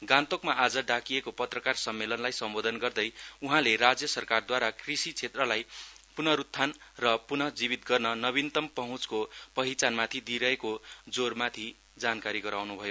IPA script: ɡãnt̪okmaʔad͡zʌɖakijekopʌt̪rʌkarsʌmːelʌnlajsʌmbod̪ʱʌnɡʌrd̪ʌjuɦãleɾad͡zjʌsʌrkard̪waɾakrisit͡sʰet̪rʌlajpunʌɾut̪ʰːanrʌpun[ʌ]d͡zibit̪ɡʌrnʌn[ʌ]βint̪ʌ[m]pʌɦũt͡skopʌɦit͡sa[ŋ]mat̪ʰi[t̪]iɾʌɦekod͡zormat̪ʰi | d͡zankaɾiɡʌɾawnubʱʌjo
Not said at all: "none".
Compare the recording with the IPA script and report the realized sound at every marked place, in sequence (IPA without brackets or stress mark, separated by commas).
ʌ, ʌ, m, n, d̪